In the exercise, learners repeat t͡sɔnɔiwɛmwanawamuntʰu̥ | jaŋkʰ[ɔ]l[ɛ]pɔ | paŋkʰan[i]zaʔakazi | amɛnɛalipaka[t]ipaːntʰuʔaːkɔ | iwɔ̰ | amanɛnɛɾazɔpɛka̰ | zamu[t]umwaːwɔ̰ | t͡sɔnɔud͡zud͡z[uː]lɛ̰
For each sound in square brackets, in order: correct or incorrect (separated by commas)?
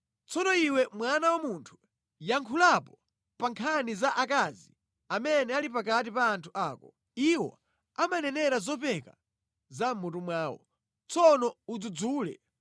incorrect, incorrect, correct, correct, correct, correct